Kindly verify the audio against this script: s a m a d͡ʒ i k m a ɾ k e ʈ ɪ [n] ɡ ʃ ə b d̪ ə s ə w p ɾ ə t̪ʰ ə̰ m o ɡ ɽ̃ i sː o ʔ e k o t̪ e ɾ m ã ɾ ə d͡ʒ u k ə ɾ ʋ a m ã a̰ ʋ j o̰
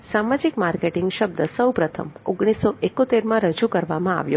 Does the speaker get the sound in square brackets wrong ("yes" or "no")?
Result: yes